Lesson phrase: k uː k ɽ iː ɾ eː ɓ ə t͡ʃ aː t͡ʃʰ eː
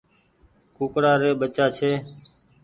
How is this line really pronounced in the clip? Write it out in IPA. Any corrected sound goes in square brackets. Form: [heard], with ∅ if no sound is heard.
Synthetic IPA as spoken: k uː k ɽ [aː] ɾ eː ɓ ə t͡ʃ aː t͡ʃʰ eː